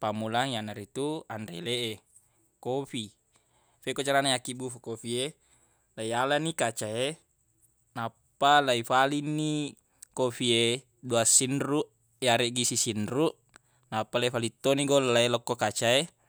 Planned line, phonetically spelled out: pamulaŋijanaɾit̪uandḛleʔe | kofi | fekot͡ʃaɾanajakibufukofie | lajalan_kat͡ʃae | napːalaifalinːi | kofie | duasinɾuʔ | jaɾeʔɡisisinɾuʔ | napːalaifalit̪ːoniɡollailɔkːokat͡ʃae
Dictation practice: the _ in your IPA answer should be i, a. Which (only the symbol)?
i